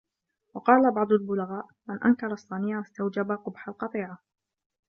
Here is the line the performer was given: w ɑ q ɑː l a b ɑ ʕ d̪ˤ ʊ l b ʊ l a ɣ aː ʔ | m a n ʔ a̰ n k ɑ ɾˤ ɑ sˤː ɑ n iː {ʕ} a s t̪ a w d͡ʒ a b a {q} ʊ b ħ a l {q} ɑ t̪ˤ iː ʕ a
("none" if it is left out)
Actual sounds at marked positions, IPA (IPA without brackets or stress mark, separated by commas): ʕ, q, q